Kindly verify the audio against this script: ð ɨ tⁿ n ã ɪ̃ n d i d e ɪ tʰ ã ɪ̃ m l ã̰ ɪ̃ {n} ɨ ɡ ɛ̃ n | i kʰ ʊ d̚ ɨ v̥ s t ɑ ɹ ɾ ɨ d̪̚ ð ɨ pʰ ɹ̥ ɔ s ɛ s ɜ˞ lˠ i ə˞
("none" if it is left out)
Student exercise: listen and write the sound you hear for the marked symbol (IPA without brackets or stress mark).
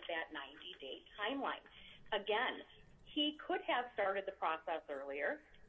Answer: n